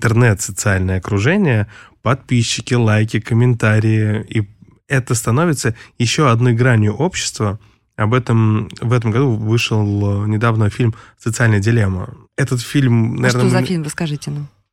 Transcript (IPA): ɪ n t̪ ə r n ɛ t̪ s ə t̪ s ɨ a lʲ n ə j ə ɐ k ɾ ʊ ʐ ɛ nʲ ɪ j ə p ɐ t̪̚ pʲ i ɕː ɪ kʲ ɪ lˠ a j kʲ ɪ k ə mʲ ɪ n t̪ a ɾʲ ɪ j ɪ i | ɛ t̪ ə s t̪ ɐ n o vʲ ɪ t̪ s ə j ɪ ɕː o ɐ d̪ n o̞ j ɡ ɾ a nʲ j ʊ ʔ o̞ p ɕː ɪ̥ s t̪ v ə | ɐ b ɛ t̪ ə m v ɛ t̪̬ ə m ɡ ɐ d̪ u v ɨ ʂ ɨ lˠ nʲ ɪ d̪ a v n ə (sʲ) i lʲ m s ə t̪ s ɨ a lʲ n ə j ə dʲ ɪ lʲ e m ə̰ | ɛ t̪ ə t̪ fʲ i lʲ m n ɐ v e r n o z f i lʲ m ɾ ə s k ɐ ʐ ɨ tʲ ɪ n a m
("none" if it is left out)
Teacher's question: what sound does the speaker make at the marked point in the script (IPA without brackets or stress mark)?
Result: fʲ